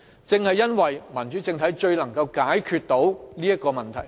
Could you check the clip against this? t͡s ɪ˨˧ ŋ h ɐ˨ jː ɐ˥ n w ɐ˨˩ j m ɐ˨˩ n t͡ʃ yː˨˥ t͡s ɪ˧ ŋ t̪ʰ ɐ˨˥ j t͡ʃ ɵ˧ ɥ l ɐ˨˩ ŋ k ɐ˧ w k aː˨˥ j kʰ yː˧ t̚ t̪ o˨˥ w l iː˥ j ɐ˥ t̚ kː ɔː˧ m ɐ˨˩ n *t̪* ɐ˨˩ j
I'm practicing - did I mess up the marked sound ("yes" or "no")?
yes